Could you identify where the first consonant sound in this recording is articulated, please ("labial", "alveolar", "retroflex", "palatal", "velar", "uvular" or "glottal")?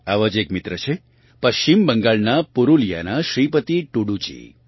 labial